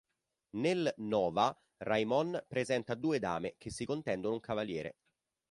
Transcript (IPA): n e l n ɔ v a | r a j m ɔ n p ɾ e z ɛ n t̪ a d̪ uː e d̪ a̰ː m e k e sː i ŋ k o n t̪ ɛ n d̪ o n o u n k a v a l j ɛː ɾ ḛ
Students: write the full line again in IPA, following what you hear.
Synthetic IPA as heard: n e l n ɔː v a | r a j m ɔ n p ɾ e z ɛ n t̪ a d̪ uː e d̪ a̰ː m e k e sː i k o n t̪ ɛ n d̪ o n o u ŋ k a v a l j ɛː ɾ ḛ